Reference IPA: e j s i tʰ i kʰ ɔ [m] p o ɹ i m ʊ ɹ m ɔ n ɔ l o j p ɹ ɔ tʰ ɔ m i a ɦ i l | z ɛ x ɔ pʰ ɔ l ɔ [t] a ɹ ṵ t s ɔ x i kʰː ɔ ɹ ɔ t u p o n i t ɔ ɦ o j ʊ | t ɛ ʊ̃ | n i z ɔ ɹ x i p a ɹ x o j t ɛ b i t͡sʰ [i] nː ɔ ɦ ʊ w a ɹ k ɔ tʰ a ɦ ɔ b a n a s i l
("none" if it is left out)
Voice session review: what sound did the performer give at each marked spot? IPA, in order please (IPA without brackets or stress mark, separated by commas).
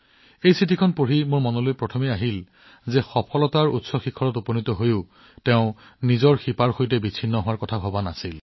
n, t, i